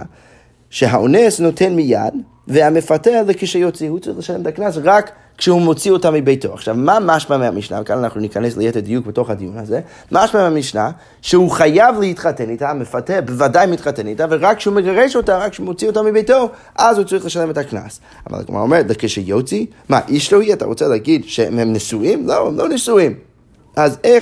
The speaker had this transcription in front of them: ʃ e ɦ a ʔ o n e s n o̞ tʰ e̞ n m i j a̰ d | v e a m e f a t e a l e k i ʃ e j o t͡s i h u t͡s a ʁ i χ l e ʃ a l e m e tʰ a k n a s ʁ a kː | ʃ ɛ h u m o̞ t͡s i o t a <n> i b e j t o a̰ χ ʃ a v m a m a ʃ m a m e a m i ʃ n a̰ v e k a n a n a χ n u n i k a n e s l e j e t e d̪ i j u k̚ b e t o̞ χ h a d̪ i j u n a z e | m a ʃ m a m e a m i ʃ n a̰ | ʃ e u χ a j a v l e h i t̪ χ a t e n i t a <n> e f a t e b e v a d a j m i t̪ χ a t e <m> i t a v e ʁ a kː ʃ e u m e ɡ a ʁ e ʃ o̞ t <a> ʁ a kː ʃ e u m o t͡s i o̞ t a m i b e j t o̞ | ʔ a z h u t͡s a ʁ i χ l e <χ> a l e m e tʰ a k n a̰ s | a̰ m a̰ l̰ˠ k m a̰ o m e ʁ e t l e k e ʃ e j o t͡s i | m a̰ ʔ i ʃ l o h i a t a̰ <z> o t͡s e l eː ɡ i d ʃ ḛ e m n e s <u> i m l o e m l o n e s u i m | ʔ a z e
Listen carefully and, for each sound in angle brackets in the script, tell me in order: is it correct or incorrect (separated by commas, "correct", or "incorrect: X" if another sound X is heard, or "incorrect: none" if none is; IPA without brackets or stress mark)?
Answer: incorrect: m, incorrect: m, incorrect: n, correct, incorrect: ʃ, incorrect: ʁ, correct